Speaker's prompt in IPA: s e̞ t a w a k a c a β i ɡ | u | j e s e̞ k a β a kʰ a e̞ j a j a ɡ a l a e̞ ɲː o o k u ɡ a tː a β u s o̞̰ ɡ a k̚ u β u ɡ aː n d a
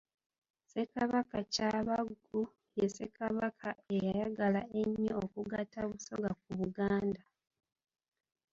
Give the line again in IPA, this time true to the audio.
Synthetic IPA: s e̞ k a β a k a c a β a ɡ | u | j e s e̞ k a β a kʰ a e̞ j a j a ɡ a l a e̞ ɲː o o k u ɡ a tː a β u s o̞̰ ɡ a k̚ u β u ɡ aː n d a